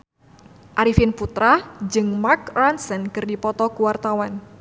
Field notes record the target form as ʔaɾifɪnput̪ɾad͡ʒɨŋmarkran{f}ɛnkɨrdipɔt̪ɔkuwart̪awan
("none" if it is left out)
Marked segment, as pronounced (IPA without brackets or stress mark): s